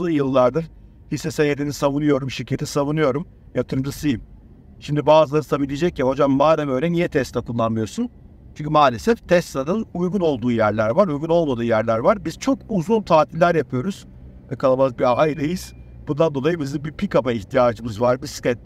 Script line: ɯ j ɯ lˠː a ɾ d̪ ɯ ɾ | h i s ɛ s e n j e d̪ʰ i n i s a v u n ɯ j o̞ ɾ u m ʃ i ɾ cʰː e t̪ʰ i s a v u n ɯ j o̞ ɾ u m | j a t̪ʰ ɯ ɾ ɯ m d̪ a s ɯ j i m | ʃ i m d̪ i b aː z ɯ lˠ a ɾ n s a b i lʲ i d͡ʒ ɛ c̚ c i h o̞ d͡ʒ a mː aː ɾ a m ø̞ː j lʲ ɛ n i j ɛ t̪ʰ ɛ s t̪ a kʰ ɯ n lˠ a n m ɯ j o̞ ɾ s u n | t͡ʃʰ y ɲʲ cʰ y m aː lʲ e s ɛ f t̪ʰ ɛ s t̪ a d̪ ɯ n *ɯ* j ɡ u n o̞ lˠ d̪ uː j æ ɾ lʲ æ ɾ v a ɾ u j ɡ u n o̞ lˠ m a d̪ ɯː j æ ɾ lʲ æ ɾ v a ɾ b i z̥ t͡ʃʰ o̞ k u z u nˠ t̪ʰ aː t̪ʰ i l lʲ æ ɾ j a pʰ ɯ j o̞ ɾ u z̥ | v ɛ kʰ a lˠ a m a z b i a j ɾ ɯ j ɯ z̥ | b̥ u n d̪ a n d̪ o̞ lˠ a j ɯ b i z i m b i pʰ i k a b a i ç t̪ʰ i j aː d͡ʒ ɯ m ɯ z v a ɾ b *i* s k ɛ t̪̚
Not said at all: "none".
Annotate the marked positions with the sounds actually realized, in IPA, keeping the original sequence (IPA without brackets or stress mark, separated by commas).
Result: u, i